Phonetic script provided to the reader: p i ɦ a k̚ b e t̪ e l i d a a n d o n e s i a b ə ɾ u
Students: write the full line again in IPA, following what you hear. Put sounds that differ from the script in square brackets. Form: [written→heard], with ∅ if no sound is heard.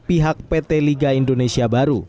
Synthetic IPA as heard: p i ɦ a k̚ [b→p] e t̪ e l i [d→ɡ] a [a→i] n d o n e s i a b [ə→a] ɾ u